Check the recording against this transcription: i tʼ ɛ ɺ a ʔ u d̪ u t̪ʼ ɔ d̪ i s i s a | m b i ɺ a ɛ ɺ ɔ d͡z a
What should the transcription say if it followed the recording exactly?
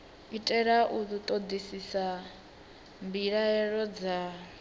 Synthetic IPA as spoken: i tʼ ɛ ɺ a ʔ u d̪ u t̪ʼ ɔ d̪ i s i s a | m b i ɺ a ɛ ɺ ɔ d͡z a